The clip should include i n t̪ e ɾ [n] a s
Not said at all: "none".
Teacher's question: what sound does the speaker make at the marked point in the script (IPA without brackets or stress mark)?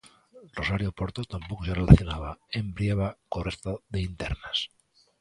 n